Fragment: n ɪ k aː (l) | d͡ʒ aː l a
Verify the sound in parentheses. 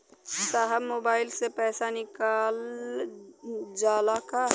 correct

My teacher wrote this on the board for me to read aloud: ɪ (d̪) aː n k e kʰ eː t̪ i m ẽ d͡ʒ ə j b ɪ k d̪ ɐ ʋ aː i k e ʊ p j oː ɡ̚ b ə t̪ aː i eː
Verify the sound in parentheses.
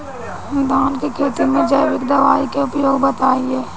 correct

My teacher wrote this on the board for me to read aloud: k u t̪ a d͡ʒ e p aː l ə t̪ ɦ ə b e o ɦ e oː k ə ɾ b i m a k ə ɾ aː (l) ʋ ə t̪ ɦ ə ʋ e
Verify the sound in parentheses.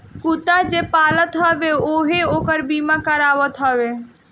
incorrect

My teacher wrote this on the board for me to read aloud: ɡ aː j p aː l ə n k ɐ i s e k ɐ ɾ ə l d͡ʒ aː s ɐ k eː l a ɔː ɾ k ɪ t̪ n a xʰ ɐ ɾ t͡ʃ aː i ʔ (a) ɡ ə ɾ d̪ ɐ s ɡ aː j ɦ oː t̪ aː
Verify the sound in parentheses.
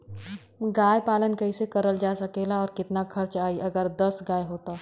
incorrect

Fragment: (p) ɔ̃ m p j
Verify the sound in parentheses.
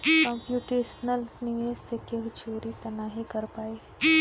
incorrect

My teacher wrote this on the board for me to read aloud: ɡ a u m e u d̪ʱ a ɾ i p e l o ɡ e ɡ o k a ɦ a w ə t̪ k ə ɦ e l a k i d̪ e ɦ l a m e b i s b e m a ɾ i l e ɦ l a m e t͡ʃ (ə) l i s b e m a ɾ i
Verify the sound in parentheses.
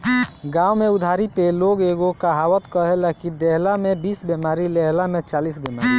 incorrect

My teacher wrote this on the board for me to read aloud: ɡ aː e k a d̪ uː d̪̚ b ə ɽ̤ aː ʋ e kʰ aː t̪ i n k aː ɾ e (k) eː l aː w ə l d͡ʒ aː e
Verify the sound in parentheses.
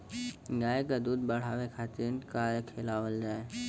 incorrect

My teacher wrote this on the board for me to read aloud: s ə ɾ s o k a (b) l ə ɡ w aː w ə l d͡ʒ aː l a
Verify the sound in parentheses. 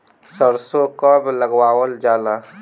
correct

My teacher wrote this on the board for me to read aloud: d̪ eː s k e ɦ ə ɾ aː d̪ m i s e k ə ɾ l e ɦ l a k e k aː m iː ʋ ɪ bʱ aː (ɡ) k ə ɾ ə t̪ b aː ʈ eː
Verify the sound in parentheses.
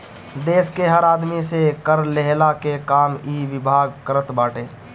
correct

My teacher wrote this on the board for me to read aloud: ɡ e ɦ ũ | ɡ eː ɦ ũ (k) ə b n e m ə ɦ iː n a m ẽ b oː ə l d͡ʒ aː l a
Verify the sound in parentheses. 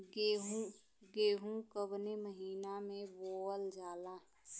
correct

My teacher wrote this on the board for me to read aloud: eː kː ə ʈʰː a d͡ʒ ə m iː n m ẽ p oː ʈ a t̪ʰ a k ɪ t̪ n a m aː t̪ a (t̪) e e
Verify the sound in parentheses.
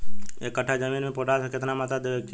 incorrect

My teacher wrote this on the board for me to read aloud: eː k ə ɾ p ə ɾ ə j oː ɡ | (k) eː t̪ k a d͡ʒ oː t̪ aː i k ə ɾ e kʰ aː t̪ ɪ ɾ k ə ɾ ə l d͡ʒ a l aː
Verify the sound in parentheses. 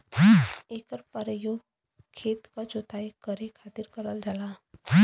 incorrect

